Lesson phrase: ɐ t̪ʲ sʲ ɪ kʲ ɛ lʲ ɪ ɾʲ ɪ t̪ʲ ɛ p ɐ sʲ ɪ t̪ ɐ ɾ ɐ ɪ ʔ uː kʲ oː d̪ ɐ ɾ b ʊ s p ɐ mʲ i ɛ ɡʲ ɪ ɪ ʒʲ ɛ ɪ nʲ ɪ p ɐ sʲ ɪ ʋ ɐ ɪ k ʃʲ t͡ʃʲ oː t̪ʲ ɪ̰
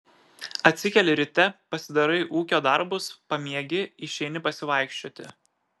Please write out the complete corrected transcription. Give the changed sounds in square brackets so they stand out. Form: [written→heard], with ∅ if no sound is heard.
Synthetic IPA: ɐ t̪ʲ sʲ ɪ kʲ ɛ lʲ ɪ ɾʲ ɪ t̪ʲ ɛ p ɐ sʲ ɪ [t̪→d̪] ɐ ɾ ɐ ɪ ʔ uː kʲ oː d̪ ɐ ɾ b ʊ s p ɐ mʲ i ɛ ɡʲ ɪ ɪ [ʒʲ→ʃʲ] ɛ ɪ nʲ ɪ p ɐ sʲ ɪ ʋ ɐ ɪ k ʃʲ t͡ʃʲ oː t̪ʲ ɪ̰